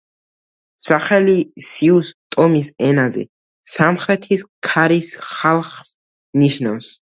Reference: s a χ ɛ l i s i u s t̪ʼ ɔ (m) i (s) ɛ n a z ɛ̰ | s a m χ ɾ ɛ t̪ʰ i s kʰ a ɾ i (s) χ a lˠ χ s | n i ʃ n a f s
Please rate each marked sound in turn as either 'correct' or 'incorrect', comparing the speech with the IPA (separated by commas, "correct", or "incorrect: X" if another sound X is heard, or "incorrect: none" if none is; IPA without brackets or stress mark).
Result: correct, correct, correct